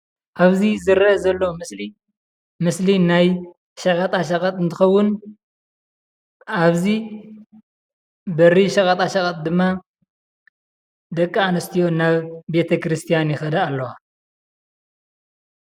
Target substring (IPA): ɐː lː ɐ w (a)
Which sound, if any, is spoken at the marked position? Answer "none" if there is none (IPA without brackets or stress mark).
a